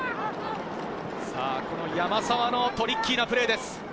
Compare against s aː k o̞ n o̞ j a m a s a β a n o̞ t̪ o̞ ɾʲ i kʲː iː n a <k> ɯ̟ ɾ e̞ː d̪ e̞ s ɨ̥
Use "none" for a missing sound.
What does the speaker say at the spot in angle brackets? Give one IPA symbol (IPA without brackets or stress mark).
p